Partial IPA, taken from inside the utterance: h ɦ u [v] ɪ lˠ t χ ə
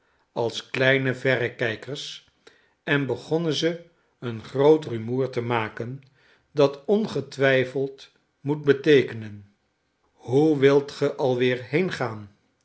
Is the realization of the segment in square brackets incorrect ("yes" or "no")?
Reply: yes